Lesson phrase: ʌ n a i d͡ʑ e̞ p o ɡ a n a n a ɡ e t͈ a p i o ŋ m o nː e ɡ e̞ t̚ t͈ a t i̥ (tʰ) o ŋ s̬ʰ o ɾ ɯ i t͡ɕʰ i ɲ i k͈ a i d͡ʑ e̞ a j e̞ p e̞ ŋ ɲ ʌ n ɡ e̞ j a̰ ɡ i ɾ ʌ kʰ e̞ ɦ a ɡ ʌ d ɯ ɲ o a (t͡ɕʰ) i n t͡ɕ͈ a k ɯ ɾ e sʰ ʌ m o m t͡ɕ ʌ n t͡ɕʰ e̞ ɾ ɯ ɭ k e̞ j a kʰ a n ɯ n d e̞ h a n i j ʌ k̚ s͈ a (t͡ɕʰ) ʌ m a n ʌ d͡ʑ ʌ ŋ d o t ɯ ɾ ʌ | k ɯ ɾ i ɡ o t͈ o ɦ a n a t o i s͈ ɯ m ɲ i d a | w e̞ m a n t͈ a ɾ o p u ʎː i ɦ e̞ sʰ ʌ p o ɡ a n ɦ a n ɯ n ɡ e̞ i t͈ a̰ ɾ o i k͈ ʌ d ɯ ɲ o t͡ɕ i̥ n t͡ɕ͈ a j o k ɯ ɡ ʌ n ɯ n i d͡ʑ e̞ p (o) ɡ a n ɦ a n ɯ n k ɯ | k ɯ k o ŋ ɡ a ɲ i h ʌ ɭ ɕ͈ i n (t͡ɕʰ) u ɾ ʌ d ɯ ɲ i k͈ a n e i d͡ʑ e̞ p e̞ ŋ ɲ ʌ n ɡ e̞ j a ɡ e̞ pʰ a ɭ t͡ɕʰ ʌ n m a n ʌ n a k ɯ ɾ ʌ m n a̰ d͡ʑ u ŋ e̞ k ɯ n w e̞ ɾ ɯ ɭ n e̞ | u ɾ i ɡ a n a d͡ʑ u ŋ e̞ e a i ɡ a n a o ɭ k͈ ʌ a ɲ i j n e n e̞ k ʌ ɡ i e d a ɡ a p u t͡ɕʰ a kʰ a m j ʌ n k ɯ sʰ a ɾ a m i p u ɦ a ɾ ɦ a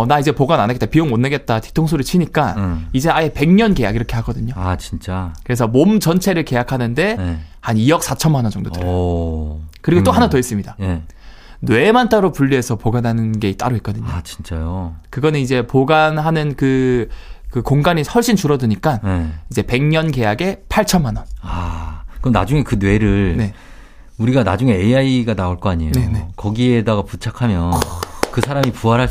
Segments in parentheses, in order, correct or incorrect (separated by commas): correct, incorrect, correct, correct, incorrect